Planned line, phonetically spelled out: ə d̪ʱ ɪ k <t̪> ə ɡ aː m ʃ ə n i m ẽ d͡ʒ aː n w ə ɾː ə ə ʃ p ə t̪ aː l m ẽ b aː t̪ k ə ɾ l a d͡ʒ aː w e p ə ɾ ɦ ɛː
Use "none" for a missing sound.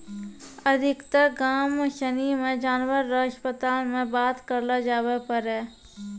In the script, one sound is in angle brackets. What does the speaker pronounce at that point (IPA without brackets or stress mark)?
t̪